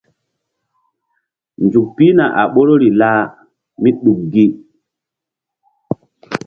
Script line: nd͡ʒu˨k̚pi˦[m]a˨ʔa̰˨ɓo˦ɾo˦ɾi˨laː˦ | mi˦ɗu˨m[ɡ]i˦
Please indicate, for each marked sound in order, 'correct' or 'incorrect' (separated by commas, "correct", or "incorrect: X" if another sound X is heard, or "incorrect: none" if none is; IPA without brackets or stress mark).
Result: incorrect: n, correct